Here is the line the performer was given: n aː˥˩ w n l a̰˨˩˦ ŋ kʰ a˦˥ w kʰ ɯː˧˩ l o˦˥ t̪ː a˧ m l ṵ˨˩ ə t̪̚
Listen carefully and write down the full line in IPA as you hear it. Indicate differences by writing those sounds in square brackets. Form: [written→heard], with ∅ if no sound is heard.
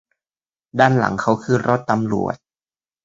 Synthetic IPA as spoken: [n→d] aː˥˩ [w→∅] n l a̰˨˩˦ ŋ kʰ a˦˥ w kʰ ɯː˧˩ [l→ɾ] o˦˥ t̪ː a˧ m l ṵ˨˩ ə t̪̚